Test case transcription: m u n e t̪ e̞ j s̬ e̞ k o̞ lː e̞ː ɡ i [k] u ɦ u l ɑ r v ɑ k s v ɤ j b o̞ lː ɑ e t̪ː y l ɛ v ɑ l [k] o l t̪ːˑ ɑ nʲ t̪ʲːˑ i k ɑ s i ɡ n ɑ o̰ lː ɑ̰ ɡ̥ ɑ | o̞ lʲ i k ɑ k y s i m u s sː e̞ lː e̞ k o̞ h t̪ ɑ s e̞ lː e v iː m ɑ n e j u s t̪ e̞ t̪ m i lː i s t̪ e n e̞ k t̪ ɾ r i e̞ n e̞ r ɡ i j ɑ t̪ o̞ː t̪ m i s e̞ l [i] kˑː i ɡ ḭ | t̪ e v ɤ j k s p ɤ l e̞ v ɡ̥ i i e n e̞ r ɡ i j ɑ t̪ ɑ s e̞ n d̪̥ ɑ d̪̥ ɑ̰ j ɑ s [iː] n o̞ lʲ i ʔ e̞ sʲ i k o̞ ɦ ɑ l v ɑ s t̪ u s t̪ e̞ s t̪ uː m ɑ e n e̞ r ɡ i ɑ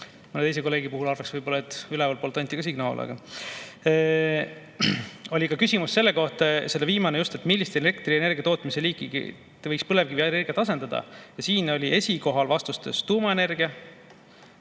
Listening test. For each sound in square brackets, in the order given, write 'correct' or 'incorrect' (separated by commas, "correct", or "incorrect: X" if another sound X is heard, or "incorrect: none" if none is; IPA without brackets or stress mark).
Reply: incorrect: p, incorrect: p, incorrect: iː, correct